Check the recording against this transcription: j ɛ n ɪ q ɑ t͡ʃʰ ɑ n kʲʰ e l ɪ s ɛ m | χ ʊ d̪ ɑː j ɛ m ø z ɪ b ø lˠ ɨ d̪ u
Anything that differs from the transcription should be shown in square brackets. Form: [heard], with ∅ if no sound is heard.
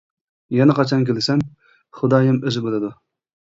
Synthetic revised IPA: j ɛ n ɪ q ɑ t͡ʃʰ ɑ n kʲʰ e l ɪ s ɛ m | χ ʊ d̪ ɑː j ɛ m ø z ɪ b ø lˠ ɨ d̪ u